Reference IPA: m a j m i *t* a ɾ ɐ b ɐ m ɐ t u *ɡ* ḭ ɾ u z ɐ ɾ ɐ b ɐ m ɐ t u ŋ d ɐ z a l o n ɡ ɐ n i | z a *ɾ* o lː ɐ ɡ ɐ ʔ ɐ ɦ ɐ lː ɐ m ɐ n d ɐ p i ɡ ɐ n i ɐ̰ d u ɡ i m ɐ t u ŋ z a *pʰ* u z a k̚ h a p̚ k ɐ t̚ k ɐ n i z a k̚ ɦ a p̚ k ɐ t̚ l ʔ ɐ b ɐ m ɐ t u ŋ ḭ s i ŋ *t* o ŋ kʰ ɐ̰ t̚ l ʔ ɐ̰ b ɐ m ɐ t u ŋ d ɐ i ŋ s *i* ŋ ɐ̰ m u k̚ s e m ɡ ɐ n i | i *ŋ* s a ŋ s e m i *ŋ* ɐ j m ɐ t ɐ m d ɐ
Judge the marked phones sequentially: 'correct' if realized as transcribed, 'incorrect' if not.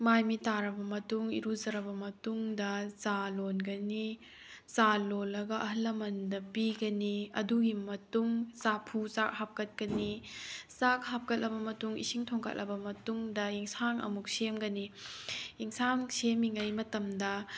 correct, incorrect: ŋ, incorrect: l, correct, incorrect: tʰ, incorrect: a, correct, correct

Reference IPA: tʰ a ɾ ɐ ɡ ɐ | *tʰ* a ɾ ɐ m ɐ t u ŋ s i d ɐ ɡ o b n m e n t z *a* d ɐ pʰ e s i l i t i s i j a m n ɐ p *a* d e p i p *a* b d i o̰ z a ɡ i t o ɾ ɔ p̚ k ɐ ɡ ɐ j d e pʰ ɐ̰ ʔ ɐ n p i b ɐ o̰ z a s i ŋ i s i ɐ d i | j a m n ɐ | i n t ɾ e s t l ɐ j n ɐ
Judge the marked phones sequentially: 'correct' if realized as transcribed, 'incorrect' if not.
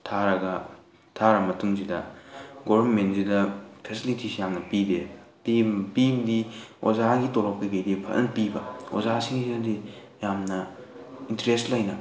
correct, incorrect: i, incorrect: i, incorrect: i

